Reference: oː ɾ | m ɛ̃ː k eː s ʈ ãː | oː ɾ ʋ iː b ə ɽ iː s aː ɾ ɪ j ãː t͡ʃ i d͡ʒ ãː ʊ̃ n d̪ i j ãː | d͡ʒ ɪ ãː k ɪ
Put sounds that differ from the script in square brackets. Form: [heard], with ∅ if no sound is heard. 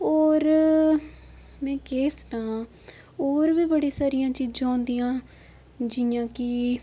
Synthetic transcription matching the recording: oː ɾ | m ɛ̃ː k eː s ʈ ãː | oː ɾ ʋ iː b ə ɽ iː s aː ɾ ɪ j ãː t͡ʃ [iː] d͡ʒ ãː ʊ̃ n d̪ i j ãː | d͡ʒ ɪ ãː k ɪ